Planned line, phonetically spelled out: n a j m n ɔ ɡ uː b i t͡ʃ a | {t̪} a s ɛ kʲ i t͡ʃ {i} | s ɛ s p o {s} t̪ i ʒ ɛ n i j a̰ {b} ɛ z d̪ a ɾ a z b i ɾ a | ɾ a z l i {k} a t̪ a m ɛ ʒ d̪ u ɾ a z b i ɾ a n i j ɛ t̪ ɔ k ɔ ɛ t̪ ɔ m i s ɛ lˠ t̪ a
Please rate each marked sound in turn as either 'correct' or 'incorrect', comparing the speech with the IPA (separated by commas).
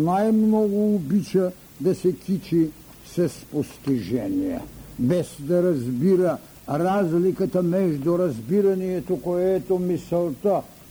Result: incorrect, correct, correct, correct, correct